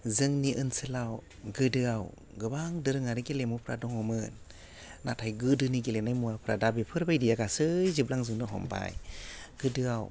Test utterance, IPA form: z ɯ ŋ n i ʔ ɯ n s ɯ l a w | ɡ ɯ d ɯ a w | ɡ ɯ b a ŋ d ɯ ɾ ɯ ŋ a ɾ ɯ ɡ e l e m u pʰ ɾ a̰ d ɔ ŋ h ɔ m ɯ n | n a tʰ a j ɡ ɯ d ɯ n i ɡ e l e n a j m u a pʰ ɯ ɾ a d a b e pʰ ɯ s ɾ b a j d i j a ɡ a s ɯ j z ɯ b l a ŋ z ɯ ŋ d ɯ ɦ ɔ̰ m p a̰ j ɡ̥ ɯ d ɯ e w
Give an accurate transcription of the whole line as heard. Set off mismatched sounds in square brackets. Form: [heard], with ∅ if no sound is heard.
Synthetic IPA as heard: z ɯ ŋ n i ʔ ɯ n s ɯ l a w | ɡ ɯ d ɯ a w | ɡ ɯ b a ŋ d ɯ ɾ ɯ ŋ a ɾ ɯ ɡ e l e m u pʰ ɾ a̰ d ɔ ŋ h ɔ m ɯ n | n a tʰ a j ɡ ɯ d ɯ n i ɡ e l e n a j m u a pʰ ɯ ɾ a d a b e pʰ ɯ [∅] ɾ b a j d i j a ɡ a s ɯ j z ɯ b l a ŋ z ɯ ŋ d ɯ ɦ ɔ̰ m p a̰ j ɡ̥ ɯ d ɯ [a] w